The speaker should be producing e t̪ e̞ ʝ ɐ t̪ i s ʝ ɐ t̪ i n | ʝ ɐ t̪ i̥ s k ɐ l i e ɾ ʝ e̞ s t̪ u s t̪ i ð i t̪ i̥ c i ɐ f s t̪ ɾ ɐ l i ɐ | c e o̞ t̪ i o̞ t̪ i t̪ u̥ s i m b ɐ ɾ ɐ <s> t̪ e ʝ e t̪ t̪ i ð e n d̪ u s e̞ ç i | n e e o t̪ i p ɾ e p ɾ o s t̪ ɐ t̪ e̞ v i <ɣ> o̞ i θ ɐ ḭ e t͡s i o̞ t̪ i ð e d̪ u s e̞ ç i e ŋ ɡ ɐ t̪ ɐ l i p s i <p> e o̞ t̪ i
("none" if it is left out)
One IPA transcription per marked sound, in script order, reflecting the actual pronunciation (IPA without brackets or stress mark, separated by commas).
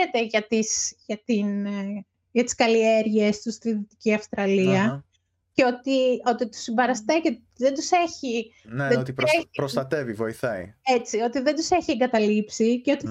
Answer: s, v, c